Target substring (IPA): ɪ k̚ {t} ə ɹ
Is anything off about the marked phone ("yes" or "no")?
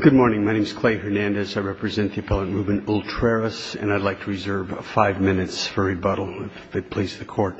yes